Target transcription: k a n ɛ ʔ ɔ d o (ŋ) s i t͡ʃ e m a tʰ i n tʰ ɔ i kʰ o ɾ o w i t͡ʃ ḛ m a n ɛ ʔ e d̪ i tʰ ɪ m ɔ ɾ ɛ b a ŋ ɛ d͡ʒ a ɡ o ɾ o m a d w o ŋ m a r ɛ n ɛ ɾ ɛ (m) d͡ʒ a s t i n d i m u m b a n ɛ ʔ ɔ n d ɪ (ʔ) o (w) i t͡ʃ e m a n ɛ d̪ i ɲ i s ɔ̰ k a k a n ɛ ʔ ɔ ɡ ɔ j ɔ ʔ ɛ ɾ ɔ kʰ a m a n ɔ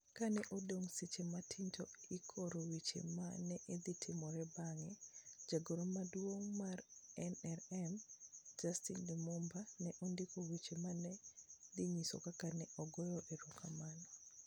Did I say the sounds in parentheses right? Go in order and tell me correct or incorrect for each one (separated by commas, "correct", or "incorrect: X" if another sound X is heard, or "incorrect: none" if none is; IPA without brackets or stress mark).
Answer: correct, correct, incorrect: k, correct